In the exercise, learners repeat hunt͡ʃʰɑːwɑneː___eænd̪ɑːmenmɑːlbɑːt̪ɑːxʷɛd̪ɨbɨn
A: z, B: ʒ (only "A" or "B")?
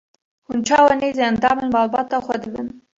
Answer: A